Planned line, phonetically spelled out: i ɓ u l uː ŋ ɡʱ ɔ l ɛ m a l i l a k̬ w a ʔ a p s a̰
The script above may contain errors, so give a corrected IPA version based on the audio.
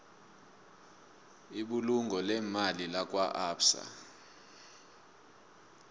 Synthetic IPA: i ɓ u l u ŋ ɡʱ ɔ l ɛ m a l i l a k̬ w a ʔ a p s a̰